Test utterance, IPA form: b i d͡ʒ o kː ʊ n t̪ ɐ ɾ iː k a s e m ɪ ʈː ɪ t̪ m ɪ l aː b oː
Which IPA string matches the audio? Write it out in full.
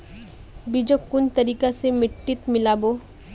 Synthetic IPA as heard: b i d͡ʒ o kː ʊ n t̪ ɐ ɾ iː k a s e m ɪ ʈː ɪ t̪ m ɪ l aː b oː